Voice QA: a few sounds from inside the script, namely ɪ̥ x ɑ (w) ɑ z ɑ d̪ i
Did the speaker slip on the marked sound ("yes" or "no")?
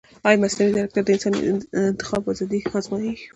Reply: yes